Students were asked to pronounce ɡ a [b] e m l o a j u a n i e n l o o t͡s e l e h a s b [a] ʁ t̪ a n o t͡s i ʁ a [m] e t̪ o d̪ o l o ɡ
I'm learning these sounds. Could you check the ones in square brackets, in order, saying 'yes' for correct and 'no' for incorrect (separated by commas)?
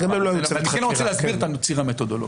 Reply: no, no, yes